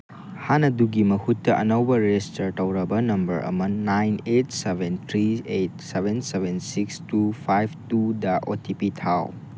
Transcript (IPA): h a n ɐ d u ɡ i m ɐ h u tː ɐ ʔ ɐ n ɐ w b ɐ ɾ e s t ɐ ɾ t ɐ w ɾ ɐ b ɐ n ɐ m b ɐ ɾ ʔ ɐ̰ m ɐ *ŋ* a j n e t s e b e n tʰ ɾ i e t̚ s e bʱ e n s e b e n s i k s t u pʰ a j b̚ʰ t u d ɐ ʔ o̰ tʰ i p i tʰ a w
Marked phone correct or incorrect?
incorrect: n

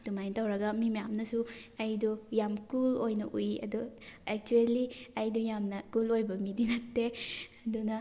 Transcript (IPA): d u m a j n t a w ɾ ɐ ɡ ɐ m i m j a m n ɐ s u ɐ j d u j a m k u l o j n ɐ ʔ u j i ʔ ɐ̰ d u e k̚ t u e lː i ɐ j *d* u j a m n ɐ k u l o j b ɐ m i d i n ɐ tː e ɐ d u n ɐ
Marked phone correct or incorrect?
correct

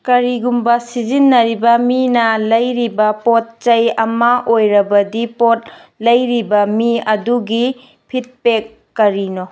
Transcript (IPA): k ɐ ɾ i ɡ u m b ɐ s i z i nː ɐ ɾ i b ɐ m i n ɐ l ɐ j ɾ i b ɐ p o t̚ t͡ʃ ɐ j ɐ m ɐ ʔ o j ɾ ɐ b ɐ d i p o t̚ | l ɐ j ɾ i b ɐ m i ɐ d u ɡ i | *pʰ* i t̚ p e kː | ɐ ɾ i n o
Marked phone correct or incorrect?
correct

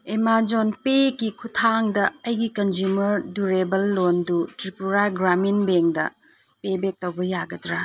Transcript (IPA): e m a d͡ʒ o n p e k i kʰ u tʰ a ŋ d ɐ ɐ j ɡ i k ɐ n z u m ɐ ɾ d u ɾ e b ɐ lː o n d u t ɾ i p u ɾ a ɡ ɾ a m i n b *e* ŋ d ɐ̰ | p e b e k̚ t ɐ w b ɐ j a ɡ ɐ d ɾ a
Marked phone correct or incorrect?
correct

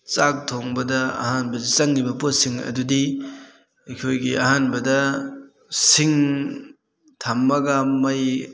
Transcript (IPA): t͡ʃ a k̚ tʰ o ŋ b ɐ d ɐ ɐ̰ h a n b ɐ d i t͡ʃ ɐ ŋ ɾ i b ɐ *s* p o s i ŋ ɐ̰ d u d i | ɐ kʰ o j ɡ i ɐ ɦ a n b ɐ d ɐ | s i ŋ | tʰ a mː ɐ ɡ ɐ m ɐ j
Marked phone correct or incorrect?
incorrect: none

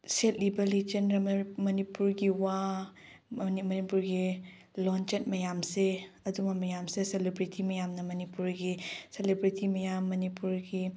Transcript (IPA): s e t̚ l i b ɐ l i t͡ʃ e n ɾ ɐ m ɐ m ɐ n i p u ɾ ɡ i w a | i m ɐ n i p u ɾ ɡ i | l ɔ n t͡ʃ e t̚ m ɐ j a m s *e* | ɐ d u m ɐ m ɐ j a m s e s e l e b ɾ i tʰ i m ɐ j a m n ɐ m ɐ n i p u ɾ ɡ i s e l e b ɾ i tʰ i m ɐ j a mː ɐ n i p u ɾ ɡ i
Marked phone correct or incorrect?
correct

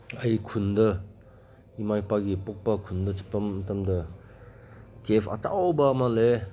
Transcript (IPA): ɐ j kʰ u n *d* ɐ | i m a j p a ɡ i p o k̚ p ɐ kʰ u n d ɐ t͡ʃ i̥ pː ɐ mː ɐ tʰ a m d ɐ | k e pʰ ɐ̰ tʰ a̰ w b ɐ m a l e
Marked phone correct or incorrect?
correct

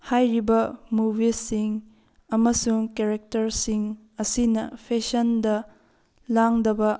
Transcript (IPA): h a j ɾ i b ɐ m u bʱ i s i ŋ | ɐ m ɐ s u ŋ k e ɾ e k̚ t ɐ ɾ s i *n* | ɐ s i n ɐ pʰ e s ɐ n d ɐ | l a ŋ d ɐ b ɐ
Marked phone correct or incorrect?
incorrect: ŋ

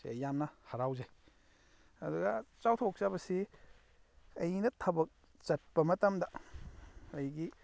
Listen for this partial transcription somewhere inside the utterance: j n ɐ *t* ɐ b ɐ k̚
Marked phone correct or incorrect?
incorrect: tʰ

